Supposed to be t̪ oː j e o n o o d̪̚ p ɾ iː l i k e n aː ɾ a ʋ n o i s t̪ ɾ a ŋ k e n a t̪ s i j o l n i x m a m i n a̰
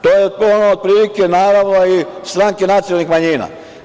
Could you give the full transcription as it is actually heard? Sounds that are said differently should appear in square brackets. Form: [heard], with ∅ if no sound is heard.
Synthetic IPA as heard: t̪ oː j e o n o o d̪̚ p ɾ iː l i k e n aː ɾ a ʋ n o i s t̪ ɾ a ŋ k e n a t̪ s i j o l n i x m a [ɲ] i n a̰